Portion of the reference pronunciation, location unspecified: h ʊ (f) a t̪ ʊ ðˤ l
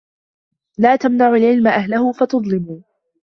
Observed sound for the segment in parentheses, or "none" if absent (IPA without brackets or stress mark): f